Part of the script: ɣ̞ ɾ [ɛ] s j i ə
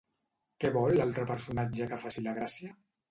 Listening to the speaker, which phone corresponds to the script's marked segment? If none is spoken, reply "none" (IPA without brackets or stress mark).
a